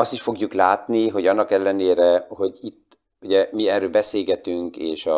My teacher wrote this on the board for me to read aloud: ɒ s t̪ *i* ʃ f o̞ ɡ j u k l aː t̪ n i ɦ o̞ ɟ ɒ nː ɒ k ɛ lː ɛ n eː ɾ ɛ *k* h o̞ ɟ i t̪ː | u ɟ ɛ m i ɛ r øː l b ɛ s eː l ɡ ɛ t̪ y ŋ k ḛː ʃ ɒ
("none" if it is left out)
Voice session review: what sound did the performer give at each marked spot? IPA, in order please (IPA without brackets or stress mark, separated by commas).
i, none